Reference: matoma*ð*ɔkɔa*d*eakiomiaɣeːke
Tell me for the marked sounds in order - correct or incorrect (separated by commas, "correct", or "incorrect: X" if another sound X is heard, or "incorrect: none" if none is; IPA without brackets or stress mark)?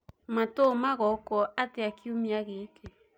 incorrect: ɣ, incorrect: t